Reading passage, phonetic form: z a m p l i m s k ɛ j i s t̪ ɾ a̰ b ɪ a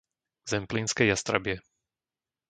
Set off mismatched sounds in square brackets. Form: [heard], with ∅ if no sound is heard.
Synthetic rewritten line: z [ɛ] m p l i [n] s k ɛ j [a] s t̪ ɾ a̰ b ɪ [ɛ]